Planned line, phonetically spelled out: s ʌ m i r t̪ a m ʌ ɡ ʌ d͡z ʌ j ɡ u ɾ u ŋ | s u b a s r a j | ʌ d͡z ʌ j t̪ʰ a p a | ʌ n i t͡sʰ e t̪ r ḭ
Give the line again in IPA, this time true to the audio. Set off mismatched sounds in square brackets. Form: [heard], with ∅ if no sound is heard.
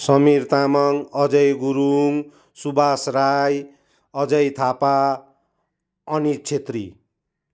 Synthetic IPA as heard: s ʌ m i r t̪ a m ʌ [ŋ] ʌ d͡z ʌ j ɡ u ɾ u ŋ | s u b a s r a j | ʌ d͡z ʌ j t̪ʰ a p a | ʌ n i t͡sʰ e t̪ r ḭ

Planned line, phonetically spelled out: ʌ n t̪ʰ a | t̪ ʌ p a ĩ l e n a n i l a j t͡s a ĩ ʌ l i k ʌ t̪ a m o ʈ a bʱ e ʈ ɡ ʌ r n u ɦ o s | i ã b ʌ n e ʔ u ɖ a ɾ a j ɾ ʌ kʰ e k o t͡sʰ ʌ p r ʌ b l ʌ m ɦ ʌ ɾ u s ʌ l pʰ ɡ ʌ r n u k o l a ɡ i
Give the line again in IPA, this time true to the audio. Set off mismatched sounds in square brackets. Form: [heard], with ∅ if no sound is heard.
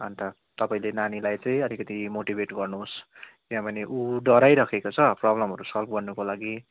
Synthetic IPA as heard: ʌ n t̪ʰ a | t̪ ʌ p a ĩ l e n a n i l a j t͡s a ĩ ʌ l i k ʌ t̪ [i] m o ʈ [i] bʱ e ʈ ɡ ʌ r n u ɦ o s | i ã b ʌ n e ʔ u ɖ [ʌ] ɾ a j ɾ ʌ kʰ e k o t͡sʰ ʌ p r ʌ b l ʌ m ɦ ʌ ɾ u s ʌ l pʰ ɡ ʌ r n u k o l a ɡ i

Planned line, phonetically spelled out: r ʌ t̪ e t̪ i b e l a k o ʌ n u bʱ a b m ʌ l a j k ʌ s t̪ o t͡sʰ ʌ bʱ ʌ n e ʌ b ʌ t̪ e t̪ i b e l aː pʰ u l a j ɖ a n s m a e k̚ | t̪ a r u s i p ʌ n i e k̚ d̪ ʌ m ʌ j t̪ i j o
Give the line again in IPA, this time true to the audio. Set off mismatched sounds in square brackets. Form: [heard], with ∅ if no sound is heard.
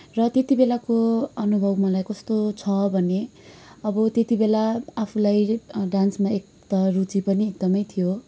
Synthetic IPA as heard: r ʌ t̪ e t̪ i b e l a k o ʌ n u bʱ [ʌ] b m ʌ l a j k ʌ s t̪ o t͡sʰ ʌ bʱ ʌ n e ʌ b ʌ t̪ e t̪ i b e l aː pʰ u l a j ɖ a n s m a e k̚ | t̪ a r u [t͡s] i p ʌ n i e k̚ d̪ ʌ m ʌ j [t̪ʰ] i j o

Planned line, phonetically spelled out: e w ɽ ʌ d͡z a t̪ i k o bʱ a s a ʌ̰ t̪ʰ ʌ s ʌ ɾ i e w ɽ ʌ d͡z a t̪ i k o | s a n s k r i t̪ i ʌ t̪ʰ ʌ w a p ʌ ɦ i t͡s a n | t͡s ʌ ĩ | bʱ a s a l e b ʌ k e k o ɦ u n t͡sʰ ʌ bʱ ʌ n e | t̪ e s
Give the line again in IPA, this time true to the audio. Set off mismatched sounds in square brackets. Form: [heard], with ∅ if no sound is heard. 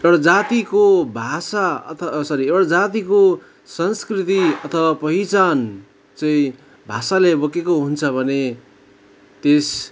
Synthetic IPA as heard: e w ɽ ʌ d͡z a t̪ i k o bʱ a s a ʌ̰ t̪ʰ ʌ s ʌ ɾ i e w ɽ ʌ d͡z a t̪ i k o | s [ʌ] n s k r i t̪ i ʌ t̪ʰ ʌ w a p ʌ ɦ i t͡s a n | t͡s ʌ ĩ | bʱ a s a l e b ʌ k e k o ɦ u n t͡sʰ ʌ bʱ ʌ n e | t̪ e s

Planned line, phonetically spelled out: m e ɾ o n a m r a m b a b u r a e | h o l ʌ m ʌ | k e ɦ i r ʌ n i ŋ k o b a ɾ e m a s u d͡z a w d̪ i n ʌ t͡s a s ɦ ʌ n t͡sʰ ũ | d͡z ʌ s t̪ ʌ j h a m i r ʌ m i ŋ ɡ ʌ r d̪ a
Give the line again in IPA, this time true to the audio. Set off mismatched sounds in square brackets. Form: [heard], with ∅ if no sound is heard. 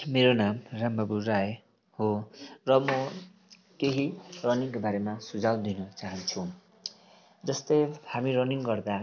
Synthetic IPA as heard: m e ɾ o n a m r a m b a b u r a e | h o [r] ʌ m ʌ | k e ɦ i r ʌ n i ŋ k o b a ɾ e m a s u d͡z a w d̪ i n ʌ t͡s a [∅] ɦ ʌ n t͡sʰ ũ | d͡z ʌ s t̪ ʌ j h a m i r ʌ [n] i ŋ ɡ ʌ r d̪ a

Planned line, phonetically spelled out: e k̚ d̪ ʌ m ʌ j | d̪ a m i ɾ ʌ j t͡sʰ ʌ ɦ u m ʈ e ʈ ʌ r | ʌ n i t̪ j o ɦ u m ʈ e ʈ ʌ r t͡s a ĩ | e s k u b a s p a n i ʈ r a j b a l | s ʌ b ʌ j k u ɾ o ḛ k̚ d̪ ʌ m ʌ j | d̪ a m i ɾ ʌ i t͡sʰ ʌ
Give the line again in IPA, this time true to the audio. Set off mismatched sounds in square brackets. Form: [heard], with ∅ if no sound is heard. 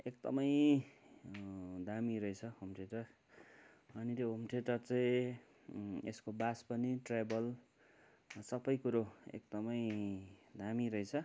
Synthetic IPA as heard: e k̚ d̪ ʌ m ʌ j | d̪ a m i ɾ ʌ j t͡sʰ ʌ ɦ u m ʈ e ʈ ʌ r | ʌ n i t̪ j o ɦ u m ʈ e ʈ ʌ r t͡s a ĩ | e s k [o] b a s p [ʌ] n i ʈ r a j b [ʌ] l | s ʌ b ʌ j k u ɾ o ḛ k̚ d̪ ʌ m ʌ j | d̪ a m i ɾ ʌ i t͡sʰ ʌ

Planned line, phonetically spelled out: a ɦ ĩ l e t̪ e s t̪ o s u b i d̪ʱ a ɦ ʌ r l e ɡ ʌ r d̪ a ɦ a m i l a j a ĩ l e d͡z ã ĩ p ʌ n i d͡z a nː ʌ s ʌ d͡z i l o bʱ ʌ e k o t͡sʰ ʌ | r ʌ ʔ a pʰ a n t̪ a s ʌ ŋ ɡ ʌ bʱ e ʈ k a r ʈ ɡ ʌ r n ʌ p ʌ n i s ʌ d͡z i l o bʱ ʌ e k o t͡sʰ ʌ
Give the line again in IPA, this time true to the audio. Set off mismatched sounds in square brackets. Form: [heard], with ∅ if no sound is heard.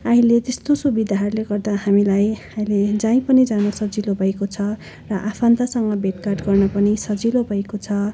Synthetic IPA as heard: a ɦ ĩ l e t̪ e s t̪ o s u b i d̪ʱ a ɦ ʌ r l e ɡ ʌ r d̪ a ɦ a m i l a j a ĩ l e d͡z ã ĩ p ʌ n i d͡z a [n] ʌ s ʌ d͡z i l o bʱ ʌ e k o t͡sʰ ʌ | r ʌ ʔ a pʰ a n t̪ a s ʌ ŋ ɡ ʌ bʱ e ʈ k a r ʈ ɡ ʌ r n ʌ p ʌ n i s ʌ d͡z i l o bʱ ʌ e k o t͡sʰ ʌ

